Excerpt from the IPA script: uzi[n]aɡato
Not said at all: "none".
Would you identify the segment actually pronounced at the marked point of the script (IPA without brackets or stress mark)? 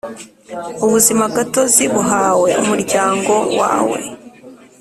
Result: m